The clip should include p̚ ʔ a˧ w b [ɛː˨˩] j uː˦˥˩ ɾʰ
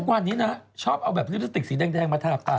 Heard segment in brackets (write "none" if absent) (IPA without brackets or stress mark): ɛː˨˩